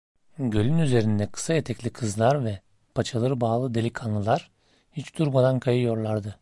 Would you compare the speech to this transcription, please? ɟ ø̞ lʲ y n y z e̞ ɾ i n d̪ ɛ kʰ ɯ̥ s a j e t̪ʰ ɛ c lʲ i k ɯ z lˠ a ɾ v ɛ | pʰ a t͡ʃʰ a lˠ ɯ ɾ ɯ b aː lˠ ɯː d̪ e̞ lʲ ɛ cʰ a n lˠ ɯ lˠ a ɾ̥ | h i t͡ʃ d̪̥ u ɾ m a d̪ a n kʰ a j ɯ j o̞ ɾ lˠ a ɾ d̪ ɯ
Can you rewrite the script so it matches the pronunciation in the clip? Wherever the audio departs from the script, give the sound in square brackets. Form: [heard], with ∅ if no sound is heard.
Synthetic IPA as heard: ɟ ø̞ lʲ y n y z e̞ ɾ i n d̪ ɛ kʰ ɯ̥ s a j e t̪ʰ ɛ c lʲ i [kʰ] ɯ z lˠ a ɾ v ɛ | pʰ a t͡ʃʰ a lˠ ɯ ɾ ɯ b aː lˠ [ɯ] d̪ e̞ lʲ [i] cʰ a n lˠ ɯ lˠ a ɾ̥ | h i t͡ʃ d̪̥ u ɾ m a d̪ a n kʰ a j ɯ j o̞ ɾ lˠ a ɾ d̪ ɯ